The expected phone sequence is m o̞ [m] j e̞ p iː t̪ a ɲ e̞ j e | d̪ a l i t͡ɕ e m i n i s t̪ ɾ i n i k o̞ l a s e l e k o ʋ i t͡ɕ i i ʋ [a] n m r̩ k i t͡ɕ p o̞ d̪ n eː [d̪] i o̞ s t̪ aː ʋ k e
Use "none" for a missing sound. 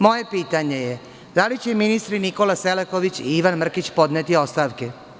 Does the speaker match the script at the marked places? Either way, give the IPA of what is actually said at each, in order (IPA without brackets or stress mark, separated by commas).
none, a, t̪